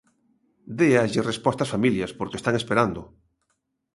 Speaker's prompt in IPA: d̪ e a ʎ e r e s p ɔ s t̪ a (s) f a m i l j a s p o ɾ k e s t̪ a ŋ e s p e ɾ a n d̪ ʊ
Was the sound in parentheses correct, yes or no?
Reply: yes